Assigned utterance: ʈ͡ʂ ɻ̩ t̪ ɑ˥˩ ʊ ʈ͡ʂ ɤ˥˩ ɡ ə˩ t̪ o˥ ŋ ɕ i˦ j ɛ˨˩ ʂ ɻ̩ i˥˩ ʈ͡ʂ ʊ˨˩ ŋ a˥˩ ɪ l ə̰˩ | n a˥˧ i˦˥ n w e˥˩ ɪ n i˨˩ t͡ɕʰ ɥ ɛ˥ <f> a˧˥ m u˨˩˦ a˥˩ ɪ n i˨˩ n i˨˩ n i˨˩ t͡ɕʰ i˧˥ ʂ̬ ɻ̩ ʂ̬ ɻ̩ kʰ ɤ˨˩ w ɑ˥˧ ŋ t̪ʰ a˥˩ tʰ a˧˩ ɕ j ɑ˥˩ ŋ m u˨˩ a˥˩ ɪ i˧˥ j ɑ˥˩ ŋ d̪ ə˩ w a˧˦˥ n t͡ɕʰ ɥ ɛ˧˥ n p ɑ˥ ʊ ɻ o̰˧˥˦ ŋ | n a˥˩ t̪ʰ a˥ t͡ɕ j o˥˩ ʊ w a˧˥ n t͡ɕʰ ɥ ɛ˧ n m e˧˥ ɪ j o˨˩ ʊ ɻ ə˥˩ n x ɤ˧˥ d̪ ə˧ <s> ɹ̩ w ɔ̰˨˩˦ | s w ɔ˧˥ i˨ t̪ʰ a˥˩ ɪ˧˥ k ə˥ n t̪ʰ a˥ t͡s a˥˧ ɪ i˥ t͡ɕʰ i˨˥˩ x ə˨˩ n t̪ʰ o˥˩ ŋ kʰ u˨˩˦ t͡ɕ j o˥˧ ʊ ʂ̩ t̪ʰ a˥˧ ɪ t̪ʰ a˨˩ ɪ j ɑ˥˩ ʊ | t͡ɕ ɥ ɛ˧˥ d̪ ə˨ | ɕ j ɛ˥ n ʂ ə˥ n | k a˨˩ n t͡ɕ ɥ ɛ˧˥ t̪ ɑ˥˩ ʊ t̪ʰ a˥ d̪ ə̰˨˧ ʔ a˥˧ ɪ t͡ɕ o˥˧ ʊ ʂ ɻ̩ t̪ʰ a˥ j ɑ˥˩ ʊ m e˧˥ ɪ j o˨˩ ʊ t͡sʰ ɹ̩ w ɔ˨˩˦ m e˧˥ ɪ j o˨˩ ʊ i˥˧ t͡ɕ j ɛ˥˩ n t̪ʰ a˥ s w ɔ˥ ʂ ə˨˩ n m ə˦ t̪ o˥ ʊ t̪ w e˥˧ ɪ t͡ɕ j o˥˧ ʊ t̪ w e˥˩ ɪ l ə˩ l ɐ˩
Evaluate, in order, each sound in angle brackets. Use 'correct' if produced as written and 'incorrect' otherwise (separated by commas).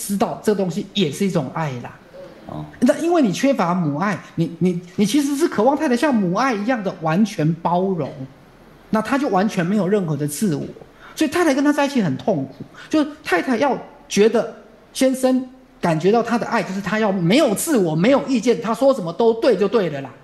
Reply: correct, incorrect